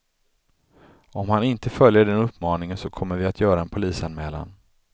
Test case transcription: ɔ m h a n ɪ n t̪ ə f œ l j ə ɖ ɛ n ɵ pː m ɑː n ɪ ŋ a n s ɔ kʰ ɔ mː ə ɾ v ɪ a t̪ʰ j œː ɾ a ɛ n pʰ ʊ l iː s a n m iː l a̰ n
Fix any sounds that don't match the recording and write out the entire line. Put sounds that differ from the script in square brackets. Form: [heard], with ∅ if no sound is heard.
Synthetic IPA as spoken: ɔ m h a n ɪ n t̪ ə f œ l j ə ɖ ɛ n ɵ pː m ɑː n ɪ ŋ [ə] n s ɔ kʰ ɔ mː ə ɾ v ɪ a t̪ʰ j œː ɾ a ɛ n pʰ ʊ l iː s a n m [ɛː] l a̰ n